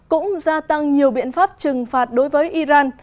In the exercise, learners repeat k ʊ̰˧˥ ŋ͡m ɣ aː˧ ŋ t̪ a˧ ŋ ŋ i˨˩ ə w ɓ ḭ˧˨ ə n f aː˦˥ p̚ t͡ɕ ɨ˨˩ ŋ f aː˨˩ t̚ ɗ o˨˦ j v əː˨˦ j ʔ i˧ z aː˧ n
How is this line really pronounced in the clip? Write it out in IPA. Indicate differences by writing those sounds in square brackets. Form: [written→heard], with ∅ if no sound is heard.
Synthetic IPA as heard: k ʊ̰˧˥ ŋ͡m [ɣ→z] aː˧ [ŋ→∅] t̪ a˧ ŋ [ŋ→ɲ] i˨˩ ə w ɓ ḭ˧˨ ə n f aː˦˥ p̚ t͡ɕ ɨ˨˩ ŋ f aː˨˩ t̚ ɗ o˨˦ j v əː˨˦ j ʔ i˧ z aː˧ n